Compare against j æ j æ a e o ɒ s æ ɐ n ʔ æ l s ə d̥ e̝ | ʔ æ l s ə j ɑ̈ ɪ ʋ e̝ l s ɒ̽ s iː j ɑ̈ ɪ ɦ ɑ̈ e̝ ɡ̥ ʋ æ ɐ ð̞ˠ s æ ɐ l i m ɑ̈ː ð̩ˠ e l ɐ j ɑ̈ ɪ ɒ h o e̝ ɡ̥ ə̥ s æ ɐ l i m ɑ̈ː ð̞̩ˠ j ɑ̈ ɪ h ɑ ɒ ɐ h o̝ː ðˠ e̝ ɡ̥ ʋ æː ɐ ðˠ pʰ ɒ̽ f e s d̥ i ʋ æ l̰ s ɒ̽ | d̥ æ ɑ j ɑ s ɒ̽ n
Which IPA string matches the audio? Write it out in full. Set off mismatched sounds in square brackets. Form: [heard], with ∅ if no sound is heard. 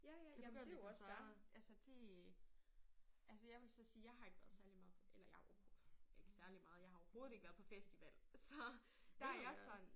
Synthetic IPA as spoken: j æ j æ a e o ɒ s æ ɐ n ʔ æ l s ə d̥ e̝ | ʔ æ l s ə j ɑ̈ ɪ ʋ e̝ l s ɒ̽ s iː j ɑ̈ ɪ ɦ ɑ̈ e̝ ɡ̥ ʋ æ ɐ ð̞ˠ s æ ɐ l i m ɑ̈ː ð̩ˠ e l ɐ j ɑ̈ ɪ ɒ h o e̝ ɡ̥ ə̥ s æ ɐ l i m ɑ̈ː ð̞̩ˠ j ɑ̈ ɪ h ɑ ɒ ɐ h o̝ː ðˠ e̝ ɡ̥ ʋ [æ] ɐ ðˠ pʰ ɒ̽ f e s d̥ i ʋ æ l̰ s ɒ̽ | d̥ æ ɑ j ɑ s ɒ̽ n